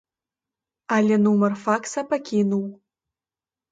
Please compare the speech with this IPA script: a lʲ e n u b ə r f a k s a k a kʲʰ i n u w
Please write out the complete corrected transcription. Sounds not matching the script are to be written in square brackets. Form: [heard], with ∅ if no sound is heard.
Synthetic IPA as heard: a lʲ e n u [m] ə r f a k s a [p] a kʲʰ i n u w